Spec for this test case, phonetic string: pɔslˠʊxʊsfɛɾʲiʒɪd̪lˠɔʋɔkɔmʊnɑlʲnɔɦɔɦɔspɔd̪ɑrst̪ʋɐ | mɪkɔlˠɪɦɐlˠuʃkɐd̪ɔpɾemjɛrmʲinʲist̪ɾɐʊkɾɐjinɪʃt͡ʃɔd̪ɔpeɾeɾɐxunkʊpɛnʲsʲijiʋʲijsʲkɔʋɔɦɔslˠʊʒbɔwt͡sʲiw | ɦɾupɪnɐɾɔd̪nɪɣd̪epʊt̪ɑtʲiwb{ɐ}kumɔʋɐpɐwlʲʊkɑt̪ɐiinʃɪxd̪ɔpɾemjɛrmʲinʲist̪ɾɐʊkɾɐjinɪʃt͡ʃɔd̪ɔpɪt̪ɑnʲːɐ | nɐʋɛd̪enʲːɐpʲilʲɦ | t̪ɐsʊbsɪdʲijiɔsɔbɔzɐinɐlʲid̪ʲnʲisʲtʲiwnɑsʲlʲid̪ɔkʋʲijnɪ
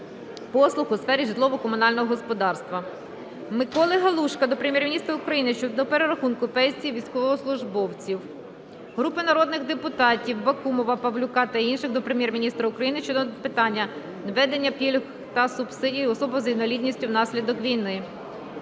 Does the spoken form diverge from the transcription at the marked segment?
no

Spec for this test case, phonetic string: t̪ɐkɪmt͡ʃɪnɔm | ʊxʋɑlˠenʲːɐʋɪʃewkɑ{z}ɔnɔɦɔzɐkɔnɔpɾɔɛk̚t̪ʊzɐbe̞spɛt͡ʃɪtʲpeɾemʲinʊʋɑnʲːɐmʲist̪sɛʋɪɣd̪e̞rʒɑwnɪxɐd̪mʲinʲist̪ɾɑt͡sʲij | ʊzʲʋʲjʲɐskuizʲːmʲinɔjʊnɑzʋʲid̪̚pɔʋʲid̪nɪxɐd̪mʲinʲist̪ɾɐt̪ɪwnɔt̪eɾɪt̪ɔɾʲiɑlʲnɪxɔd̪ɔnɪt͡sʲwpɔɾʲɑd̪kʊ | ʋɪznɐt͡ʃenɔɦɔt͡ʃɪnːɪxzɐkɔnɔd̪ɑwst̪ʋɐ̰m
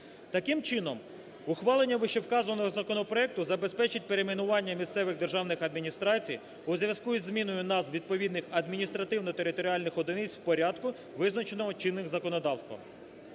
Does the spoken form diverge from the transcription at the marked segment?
no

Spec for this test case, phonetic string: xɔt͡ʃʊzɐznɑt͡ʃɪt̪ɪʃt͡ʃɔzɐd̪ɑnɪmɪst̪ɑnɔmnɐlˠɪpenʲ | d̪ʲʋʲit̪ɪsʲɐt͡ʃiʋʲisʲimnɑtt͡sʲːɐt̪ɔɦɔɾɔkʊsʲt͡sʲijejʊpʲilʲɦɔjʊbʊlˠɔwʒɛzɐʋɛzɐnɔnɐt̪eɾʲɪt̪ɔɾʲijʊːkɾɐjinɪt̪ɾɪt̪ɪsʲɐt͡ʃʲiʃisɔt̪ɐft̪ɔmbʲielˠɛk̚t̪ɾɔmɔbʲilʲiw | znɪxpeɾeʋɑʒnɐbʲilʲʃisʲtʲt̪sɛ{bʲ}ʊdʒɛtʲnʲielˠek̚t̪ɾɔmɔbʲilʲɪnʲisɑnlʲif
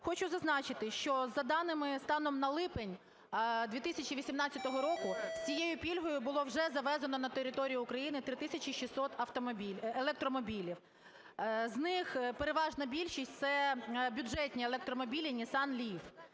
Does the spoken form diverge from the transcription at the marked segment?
no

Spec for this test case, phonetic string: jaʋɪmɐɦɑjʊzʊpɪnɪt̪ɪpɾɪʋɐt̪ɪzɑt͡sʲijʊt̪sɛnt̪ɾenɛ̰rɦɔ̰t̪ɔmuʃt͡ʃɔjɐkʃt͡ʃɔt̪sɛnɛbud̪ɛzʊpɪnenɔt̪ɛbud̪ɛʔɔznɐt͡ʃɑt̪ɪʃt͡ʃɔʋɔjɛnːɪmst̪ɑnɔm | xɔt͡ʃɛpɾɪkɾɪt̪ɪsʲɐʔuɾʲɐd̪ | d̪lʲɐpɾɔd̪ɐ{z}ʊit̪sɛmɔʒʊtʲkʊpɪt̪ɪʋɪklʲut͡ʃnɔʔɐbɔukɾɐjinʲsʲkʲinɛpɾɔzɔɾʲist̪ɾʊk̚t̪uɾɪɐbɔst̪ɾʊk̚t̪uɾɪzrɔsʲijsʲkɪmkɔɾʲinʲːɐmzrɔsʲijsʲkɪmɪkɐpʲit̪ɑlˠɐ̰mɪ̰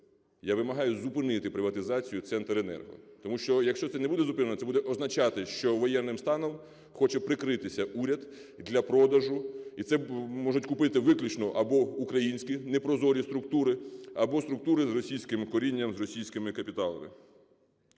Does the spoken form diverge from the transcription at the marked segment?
yes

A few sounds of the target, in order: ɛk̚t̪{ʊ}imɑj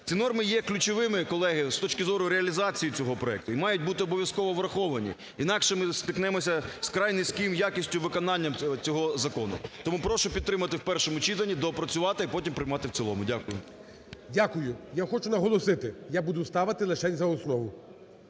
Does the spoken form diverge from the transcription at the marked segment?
no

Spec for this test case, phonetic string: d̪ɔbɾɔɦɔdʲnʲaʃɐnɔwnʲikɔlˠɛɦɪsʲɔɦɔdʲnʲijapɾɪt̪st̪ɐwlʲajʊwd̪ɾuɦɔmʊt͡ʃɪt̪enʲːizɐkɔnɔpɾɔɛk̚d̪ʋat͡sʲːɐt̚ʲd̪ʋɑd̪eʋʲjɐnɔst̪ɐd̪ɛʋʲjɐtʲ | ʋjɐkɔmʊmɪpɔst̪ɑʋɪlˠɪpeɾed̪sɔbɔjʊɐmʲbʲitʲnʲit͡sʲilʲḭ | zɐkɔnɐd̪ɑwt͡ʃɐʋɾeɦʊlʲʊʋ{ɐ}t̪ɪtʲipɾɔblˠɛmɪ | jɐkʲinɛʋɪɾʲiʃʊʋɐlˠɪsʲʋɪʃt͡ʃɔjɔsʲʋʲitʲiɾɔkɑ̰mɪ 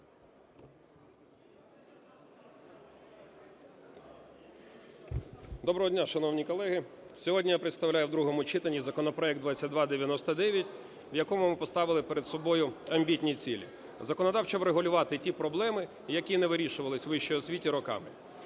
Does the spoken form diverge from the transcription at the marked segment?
yes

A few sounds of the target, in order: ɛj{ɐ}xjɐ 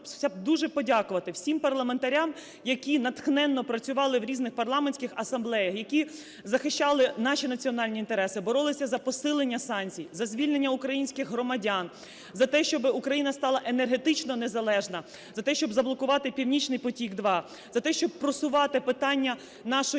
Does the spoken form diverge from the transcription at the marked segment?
no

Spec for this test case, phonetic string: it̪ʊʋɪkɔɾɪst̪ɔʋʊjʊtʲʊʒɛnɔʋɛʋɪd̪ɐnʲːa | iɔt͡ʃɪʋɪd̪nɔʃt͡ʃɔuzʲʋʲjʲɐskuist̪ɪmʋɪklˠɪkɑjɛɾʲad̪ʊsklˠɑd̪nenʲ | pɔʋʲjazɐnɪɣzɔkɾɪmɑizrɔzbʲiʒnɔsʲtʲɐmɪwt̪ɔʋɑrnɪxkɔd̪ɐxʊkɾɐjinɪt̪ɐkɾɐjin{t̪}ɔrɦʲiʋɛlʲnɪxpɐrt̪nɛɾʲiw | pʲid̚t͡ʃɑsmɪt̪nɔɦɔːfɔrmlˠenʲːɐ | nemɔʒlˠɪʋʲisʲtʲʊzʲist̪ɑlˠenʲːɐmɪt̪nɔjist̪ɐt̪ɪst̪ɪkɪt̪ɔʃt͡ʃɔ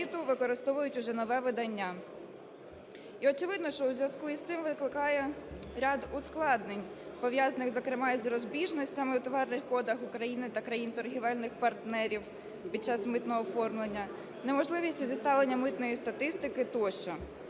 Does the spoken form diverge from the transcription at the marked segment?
no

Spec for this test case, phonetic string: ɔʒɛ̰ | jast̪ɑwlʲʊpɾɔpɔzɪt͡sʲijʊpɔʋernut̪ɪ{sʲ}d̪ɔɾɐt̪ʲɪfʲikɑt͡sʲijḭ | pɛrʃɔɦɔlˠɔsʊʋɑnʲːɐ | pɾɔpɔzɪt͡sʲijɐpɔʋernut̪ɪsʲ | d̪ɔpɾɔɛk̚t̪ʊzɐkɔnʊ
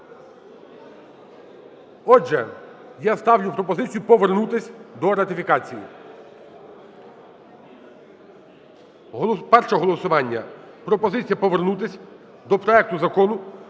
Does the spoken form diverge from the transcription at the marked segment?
no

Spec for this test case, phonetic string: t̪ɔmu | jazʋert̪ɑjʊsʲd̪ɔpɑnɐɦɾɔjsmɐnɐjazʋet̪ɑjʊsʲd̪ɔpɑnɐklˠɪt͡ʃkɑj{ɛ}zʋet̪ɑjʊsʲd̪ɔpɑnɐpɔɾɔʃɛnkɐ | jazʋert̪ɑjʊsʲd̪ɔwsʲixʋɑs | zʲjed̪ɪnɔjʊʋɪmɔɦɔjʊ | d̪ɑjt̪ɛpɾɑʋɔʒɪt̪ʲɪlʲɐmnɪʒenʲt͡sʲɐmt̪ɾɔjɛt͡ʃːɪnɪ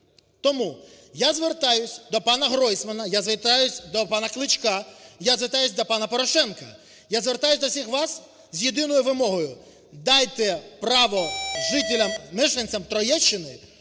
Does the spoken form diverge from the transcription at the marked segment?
yes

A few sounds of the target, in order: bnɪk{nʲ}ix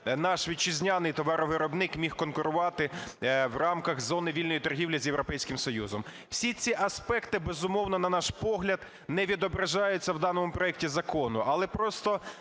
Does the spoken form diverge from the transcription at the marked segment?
yes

